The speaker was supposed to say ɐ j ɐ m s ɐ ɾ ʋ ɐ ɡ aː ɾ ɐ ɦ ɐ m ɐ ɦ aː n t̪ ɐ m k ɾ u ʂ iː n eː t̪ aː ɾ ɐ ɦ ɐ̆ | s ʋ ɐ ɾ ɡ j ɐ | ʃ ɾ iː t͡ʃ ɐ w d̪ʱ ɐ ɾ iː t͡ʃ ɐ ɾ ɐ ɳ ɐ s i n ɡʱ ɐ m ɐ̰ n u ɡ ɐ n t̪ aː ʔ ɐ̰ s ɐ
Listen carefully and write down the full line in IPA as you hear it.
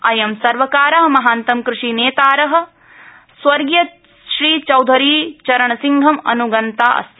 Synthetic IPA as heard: ɐ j ɐ m s ɐ ɾ ʋ ɐ k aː ɾ ɐ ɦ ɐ m ɐ ɦ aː n t̪ ɐ m k ɾ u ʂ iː n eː t̪ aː ɾ ɐ ɦ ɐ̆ | s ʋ ɐ ɾ ɡ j ɐ | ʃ ɾ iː t͡ʃ ɐ w d̪ʱ ɐ ɾ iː t͡ʃ ɐ ɾ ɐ ɳ ɐ s i ŋ ɡʱ ɐ m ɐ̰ n u ɡ ɐ n t̪ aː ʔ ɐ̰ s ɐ